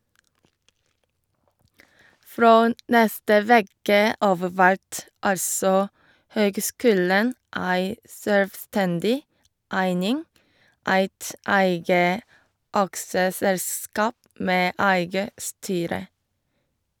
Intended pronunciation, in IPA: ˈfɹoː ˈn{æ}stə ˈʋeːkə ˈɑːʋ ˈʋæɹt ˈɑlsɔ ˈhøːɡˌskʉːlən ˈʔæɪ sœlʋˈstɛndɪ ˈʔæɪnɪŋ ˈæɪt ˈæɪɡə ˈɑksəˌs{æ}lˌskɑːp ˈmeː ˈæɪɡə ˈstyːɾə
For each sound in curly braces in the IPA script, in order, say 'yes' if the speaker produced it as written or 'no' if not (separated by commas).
no, no